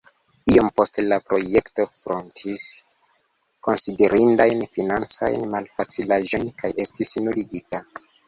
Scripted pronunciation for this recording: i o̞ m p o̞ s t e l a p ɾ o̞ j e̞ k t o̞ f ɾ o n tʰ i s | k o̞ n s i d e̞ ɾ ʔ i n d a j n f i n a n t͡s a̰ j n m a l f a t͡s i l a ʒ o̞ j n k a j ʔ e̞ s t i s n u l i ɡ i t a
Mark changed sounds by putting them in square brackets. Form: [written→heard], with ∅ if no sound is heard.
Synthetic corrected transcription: i o̞ m p o̞ s t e l a p ɾ o̞ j e̞ k t o̞ f ɾ o n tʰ i s | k o̞ n s i d e̞ ɾ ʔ i n d a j n f i n a n t͡s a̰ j n m a l f a t͡s i l a ʒ o̞ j n k a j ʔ e̞ s t i s n u l i ɡ i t a

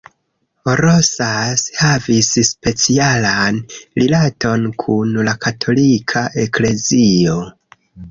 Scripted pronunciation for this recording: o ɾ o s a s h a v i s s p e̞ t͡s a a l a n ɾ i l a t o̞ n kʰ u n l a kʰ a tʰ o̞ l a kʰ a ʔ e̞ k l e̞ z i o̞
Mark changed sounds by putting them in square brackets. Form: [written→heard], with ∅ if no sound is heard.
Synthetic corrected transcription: o ɾ o s a s h a v i s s p e̞ t͡s [a→i] a l a n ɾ i l a t o̞ n kʰ u n l a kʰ a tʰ o̞ l [a→i] kʰ a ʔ e̞ k l e̞ z i o̞

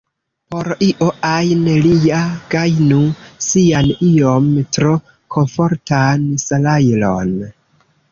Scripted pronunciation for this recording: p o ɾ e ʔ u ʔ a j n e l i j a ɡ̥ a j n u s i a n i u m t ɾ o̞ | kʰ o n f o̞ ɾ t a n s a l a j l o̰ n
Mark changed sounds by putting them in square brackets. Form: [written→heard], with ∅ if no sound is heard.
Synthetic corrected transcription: p o ɾ [e→i] ʔ [u→o] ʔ a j n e l i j a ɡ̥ a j n u s i a n i [u→o] m t ɾ o̞ | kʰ o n f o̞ ɾ t a n s a l a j l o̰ n

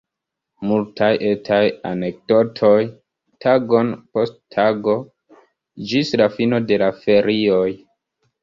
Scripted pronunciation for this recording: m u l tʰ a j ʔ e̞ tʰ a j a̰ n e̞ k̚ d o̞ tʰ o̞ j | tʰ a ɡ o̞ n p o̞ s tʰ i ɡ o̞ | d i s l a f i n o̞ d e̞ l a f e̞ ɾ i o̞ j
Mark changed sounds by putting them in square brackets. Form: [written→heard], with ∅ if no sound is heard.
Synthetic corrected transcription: m u l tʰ a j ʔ e̞ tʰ a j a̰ n e̞ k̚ d o̞ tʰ o̞ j | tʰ a ɡ o̞ n p o̞ s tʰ [i→a] ɡ o̞ | [d→d͡ʒ] i s l a f i n o̞ d e̞ l a f e̞ ɾ i o̞ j

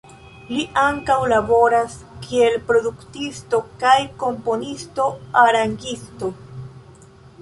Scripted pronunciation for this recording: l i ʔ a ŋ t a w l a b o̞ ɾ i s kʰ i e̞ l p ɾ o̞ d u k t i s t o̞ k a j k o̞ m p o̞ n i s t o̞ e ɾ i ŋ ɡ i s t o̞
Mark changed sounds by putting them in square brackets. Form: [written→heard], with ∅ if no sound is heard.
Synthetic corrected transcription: l i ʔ a ŋ [t→k] a w l a b o̞ ɾ [i→a] s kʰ i e̞ l p ɾ o̞ d u k t i s t o̞ k a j k o̞ m p o̞ n i s t o̞ [e→a] ɾ [i→a] ŋ ɡ i s t o̞

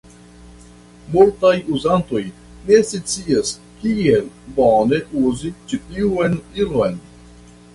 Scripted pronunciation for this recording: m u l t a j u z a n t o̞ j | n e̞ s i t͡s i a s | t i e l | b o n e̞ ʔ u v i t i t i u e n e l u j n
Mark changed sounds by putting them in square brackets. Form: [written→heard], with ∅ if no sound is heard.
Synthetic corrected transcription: m u l t a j u z a n t o̞ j | n e̞ s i t͡s i a s | [t→k] i e l | b o n e̞ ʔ u [v→z] i [t→t͡ʃ] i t i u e n [e→i] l [u→o] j n

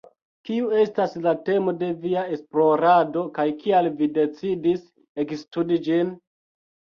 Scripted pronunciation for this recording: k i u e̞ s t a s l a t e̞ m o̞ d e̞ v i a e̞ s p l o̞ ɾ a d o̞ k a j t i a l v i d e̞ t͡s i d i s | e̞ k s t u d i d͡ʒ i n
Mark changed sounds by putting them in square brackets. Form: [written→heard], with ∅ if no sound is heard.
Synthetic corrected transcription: k i u e̞ s t a s l a t e̞ m o̞ d e̞ v i a e̞ s p l o̞ ɾ a d o̞ k a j [t→k] i a l v i d e̞ t͡s i d i s | e̞ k s t u d i d͡ʒ i n

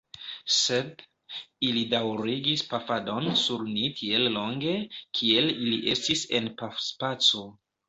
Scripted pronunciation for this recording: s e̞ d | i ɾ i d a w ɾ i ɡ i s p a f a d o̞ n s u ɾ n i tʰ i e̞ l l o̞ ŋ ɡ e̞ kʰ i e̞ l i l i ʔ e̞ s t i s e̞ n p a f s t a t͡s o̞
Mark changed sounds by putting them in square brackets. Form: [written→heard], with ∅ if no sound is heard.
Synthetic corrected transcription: s e̞ d | i [ɾ→l] i d a w ɾ i ɡ i s p a f a d o̞ n s u ɾ n i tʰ i e̞ l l o̞ ŋ ɡ e̞ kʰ i e̞ l i l i ʔ e̞ s t i s e̞ n p a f s [t→p] a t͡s o̞

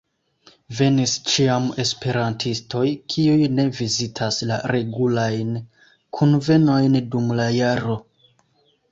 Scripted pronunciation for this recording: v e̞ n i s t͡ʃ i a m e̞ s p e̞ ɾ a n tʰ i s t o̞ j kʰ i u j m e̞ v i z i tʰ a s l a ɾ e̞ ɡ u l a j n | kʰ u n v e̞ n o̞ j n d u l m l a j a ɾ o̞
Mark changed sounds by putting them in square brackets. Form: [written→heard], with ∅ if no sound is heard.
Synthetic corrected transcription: v e̞ n i s t͡ʃ i a m e̞ s p e̞ ɾ a n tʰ i s t o̞ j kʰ i u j [m→n] e̞ v i z i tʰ a s l a ɾ e̞ ɡ u l a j n | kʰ u n v e̞ n o̞ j n d u [l→∅] m l a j a ɾ o̞

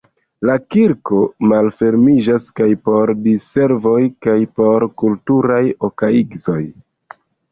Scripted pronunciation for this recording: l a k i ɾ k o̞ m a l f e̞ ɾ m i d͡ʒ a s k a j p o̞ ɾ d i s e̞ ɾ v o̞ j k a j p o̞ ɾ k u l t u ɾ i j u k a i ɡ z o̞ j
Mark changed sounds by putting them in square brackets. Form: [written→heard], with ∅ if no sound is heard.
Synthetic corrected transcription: l a k i ɾ k o̞ m a l f e̞ ɾ m i d͡ʒ a s k a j p o̞ ɾ d i s e̞ ɾ v o̞ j k a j p o̞ ɾ k u l t u ɾ [i→a] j [u→o] k a i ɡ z o̞ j

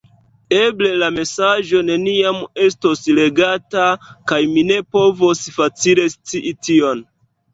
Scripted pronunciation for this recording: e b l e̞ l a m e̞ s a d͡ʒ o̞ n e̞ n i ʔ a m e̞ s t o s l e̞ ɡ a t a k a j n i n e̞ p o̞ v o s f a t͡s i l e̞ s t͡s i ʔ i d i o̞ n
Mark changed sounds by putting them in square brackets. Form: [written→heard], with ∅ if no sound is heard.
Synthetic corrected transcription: e b l e̞ l a m e̞ s a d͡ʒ o̞ n e̞ n i [ʔ→∅] a m e̞ s t o s l e̞ ɡ a t a k a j [n→m] i n e̞ p o̞ v o s f a t͡s i l e̞ s t͡s i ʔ i [d→t] i o̞ n

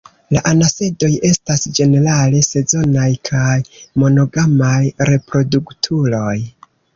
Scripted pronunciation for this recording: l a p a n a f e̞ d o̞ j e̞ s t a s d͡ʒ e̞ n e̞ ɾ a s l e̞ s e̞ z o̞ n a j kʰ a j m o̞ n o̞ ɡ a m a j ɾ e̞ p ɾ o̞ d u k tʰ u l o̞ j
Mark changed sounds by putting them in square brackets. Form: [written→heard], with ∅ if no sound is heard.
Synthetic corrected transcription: l a [p→ʔ] a n a [f→s] e̞ d o̞ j e̞ s t a s d͡ʒ e̞ n e̞ ɾ a [s→∅] l e̞ s e̞ z o̞ n a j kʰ a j m o̞ n o̞ ɡ a m a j ɾ e̞ p ɾ o̞ d u k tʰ u l o̞ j

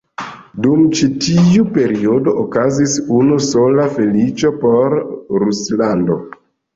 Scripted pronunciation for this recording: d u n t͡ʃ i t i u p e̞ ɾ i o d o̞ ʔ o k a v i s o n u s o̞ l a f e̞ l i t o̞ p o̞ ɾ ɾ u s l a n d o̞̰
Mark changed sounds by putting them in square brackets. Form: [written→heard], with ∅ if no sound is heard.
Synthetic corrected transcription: d u [n→m] t͡ʃ i t i u p e̞ ɾ i o d o̞ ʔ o k a [v→z] i s [o→u] n u s o̞ l a f e̞ l i [t→t͡ʃ] o̞ p o̞ ɾ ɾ u s l a n d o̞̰

